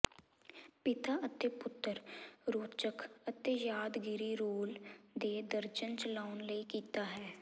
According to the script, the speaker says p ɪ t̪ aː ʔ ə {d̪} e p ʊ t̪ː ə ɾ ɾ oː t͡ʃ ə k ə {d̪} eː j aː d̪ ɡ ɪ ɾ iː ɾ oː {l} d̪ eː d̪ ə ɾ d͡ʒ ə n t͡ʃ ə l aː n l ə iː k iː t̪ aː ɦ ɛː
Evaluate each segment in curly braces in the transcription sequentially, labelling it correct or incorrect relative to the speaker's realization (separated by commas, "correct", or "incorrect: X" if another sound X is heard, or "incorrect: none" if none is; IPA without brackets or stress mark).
incorrect: t̪, incorrect: t̪, correct